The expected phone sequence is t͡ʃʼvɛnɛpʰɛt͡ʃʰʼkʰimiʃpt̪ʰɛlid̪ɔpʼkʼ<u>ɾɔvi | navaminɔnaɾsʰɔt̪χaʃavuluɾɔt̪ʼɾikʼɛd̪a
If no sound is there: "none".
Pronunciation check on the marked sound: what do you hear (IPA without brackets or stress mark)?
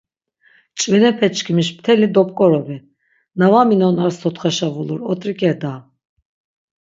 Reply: ɔ